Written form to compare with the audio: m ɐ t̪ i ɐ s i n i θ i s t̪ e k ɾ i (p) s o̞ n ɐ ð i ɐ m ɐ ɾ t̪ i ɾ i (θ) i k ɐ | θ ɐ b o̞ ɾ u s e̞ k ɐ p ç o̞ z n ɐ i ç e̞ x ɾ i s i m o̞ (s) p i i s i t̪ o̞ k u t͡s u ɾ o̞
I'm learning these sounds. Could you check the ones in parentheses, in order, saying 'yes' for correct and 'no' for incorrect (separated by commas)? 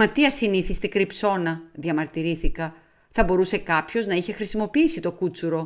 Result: yes, yes, no